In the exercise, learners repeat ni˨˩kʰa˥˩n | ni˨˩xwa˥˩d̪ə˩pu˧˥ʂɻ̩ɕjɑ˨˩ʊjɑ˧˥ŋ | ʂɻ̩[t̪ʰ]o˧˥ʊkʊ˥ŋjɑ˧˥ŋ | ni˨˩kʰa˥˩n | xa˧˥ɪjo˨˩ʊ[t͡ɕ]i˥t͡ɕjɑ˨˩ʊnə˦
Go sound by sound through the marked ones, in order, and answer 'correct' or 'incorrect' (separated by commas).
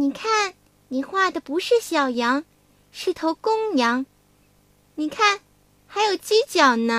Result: correct, correct